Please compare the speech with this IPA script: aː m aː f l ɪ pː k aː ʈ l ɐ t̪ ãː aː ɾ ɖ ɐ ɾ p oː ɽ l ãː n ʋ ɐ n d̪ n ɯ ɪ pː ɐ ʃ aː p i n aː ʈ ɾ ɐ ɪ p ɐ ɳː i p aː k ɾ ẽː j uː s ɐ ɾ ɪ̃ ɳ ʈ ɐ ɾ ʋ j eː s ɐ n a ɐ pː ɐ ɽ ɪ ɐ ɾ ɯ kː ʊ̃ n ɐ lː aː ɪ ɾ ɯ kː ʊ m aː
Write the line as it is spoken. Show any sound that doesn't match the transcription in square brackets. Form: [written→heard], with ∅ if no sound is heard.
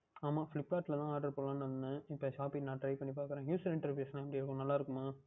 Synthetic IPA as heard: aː m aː f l ɪ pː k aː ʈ l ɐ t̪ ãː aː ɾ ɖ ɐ ɾ p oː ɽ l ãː n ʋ ɐ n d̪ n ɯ ɪ pː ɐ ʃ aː p i n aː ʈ ɾ ɐ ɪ p ɐ ɳː i p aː k ɾ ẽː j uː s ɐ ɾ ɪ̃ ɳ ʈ ɐ ɾ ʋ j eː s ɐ n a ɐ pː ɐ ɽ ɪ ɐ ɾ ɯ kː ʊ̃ n ɐ lː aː ɪ ɾ ɯ kː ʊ m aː